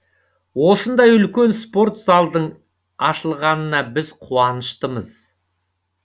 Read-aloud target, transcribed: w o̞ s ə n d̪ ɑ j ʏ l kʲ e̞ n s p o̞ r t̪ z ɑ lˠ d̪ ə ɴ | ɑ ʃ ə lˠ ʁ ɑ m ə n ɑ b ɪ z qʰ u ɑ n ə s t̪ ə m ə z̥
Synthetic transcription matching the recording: w o̞ s ə n d̪ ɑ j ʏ l kʲ e̞ n s p o̞ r t̪ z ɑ lˠ d̪ ə ɴ | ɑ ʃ ə lˠ ʁ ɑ n ə n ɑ b ɪ z qʰ u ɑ n ə ʃ t̪ ə m ə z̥